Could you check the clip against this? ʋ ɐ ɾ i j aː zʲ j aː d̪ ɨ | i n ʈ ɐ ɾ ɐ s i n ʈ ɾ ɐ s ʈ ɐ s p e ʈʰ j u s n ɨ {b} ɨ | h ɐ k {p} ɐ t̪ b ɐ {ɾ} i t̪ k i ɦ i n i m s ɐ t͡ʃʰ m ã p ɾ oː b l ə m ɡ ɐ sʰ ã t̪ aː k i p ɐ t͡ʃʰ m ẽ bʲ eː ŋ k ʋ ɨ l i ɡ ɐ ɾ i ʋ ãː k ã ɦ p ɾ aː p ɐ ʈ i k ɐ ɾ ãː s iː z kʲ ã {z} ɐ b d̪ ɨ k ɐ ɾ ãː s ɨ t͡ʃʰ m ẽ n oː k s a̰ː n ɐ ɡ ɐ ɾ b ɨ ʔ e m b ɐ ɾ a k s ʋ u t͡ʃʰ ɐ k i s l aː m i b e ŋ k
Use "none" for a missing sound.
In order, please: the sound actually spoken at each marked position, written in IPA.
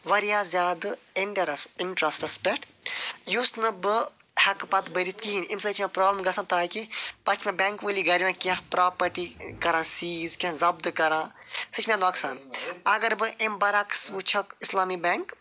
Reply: b, p, ɾ, z

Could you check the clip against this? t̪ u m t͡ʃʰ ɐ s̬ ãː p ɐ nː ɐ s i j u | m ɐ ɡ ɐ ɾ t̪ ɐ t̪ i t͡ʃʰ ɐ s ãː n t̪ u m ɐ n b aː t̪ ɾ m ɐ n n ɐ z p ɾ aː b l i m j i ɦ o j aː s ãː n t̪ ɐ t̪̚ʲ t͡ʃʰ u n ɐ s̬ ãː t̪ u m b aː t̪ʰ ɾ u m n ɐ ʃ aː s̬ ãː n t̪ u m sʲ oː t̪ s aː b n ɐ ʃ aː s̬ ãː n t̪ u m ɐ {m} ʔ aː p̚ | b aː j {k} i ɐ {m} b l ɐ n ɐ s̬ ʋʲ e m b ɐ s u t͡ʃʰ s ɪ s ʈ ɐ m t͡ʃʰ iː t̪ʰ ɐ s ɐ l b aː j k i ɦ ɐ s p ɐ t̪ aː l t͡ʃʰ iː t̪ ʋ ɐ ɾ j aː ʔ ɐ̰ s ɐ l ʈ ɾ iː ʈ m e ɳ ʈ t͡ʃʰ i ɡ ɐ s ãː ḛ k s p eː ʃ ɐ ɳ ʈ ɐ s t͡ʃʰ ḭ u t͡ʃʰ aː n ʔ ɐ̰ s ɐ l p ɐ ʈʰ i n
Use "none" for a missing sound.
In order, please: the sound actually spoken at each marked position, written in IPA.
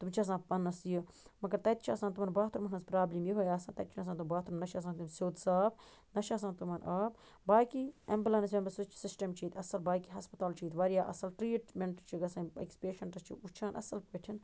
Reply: n, k, m

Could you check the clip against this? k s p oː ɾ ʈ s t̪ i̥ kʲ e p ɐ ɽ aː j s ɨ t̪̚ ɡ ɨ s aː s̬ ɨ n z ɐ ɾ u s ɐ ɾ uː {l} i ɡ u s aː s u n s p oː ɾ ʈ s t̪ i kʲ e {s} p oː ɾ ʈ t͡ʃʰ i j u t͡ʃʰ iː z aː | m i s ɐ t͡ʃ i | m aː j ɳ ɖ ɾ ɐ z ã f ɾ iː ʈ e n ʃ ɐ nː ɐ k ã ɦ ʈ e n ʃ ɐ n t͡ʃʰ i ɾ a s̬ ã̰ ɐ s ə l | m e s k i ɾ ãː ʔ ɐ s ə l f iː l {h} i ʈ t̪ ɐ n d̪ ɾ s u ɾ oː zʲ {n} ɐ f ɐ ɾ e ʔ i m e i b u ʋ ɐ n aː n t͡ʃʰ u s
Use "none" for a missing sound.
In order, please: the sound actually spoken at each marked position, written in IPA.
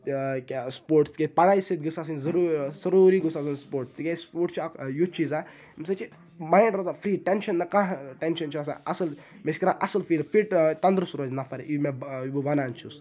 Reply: ɾ, s, f, n

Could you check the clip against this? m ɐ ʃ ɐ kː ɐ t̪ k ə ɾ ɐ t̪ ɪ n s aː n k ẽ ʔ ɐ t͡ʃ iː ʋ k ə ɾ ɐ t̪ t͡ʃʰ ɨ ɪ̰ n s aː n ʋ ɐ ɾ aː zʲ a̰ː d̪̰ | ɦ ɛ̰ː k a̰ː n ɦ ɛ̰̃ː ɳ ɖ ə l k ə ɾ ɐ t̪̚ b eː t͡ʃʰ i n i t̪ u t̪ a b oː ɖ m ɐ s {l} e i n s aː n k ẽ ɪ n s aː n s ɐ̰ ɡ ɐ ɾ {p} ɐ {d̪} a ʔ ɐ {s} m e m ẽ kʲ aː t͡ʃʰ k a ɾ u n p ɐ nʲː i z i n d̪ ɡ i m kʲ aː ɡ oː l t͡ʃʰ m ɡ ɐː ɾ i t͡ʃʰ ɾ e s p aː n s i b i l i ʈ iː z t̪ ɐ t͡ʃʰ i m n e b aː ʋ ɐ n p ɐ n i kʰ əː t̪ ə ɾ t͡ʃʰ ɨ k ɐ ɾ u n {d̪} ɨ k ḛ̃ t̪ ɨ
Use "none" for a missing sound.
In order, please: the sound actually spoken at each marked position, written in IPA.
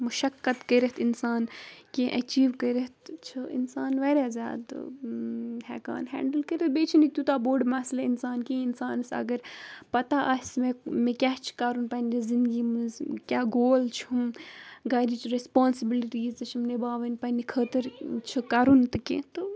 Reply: l, p, t̪, s, t̪

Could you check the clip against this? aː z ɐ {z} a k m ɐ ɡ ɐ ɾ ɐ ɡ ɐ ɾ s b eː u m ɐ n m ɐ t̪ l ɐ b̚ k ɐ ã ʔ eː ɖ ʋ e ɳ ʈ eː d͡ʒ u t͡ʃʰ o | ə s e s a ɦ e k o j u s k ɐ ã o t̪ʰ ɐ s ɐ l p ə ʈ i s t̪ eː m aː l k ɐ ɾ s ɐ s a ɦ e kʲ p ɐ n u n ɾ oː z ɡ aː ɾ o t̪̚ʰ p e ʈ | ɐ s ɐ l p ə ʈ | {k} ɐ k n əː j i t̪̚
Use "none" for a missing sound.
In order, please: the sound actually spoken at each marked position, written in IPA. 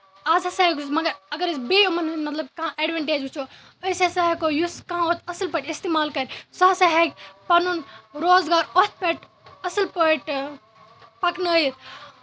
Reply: s, p

